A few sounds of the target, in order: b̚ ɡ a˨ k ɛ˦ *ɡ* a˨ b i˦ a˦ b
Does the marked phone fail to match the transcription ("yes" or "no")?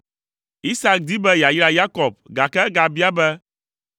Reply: no